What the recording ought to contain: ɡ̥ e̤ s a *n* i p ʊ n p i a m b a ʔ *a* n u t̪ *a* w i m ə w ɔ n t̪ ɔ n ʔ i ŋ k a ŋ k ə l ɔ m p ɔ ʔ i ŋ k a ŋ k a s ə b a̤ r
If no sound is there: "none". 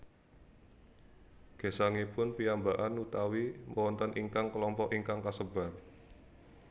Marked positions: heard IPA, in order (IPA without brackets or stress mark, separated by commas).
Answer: ŋ, a, a